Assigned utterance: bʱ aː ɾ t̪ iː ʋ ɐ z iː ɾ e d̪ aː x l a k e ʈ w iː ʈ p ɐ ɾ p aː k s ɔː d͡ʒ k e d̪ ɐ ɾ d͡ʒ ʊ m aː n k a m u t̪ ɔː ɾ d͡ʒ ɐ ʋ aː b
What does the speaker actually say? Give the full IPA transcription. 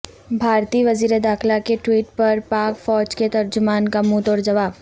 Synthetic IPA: bʱ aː ɾ t̪ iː ʋ ɐ z iː ɾ e d̪ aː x l a k e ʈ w iː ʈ p ɐ ɾ p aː k f ɔː d͡ʒ k e t̪ ɐ ɾ d͡ʒ ʊ m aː n k a m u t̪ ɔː ɾ d͡ʒ ɐ ʋ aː b